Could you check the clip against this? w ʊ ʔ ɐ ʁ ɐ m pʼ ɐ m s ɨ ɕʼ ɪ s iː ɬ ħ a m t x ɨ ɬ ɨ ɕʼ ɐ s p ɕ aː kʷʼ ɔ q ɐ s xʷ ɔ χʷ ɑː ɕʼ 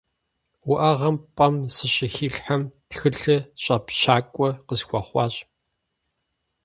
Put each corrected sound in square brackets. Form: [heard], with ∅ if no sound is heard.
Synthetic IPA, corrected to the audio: w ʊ ʔ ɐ ʁ ɐ m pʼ ɐ m s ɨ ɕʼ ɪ [x] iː ɬ ħ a m t x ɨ ɬ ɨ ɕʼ ɐ [∅] p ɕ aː kʷʼ ɔ q [ə] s xʷ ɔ χʷ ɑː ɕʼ